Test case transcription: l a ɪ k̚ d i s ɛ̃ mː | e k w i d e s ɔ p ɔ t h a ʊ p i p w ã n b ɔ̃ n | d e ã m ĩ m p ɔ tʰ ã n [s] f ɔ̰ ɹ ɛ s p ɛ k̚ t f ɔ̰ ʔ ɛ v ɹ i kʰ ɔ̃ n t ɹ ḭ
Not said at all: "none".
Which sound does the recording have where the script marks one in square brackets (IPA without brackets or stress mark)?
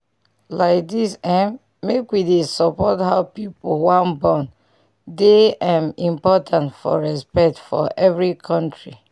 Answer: t